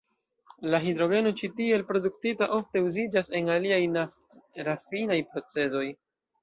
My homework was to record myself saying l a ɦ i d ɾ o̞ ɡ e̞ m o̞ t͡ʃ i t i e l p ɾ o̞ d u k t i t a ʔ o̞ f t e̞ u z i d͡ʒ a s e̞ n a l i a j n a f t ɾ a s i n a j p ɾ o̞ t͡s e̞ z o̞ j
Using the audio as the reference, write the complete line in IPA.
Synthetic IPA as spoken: l a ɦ i d ɾ o̞ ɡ e̞ n o̞ t͡ʃ i t i e l p ɾ o̞ d u k t i t a ʔ o̞ f t e̞ u z i d͡ʒ a s e̞ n a l i a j n a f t ɾ a f i n a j p ɾ o̞ t͡s e̞ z o̞ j